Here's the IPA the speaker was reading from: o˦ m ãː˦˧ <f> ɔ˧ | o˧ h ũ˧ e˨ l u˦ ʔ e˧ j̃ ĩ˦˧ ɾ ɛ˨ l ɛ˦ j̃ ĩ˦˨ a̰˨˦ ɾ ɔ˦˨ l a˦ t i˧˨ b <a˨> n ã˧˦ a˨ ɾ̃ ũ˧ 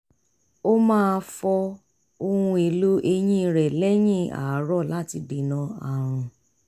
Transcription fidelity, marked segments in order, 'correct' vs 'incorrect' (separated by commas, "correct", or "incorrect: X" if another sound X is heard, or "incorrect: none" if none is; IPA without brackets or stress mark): correct, incorrect: i˨